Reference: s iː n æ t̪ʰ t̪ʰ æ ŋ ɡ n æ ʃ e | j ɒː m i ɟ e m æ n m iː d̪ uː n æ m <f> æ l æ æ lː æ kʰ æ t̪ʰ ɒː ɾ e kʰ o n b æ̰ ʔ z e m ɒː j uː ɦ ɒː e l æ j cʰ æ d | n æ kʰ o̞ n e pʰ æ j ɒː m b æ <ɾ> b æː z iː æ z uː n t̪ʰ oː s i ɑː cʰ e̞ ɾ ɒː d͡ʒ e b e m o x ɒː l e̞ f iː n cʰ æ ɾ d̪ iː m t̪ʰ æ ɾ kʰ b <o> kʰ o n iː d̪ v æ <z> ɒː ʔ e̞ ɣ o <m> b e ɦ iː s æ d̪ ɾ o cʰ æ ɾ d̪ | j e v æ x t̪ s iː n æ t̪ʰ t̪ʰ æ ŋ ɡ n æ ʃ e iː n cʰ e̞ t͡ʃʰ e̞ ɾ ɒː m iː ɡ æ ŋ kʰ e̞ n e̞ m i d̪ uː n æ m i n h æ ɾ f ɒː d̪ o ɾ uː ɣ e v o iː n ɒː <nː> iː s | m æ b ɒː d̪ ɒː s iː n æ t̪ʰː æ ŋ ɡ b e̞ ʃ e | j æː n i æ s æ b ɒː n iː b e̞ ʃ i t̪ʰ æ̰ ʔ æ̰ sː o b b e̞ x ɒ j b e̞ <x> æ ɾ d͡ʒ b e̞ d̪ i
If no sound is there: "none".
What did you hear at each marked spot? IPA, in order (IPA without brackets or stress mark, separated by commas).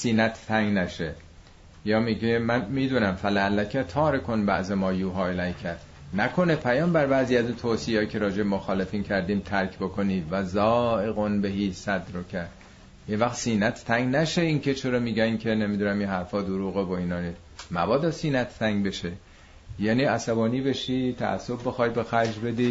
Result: f, ɾ, o, z, n, n, x